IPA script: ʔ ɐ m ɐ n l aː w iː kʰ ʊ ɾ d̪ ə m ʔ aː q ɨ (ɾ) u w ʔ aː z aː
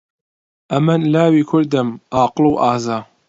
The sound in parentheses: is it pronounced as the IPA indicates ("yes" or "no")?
no